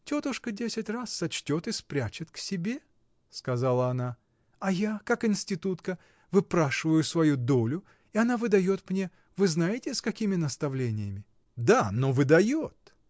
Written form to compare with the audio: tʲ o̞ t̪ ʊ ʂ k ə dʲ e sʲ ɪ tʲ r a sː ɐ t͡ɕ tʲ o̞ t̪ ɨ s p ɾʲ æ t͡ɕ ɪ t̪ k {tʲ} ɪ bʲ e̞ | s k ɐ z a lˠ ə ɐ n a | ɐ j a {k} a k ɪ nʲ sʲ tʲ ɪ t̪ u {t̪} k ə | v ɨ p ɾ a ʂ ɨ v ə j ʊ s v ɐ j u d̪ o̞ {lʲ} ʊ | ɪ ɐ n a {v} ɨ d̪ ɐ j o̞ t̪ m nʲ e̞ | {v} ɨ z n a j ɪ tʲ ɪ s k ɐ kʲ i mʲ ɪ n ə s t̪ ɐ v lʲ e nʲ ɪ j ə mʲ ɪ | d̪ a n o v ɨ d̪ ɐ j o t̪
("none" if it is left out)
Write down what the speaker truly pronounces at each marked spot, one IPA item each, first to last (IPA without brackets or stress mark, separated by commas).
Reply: sʲ, k, t̪, lʲ, v, v